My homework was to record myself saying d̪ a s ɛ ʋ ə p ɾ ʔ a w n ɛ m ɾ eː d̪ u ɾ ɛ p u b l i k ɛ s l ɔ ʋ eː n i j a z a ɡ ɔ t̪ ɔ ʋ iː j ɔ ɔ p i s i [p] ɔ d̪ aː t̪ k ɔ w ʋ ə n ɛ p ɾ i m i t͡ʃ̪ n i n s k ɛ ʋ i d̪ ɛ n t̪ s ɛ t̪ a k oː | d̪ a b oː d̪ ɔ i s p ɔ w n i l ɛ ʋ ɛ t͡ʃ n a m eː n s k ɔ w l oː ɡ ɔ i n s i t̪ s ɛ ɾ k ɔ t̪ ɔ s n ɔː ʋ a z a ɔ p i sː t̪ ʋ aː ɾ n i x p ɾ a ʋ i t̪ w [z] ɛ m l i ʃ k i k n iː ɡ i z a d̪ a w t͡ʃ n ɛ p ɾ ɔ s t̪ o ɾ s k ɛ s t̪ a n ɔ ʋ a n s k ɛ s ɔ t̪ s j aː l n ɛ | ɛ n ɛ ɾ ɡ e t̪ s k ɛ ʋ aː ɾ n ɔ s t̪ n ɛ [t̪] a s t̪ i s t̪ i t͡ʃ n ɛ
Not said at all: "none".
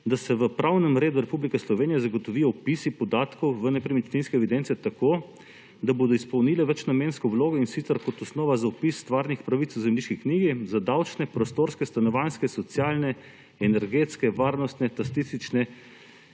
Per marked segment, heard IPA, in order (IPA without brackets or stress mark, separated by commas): p, z, t̪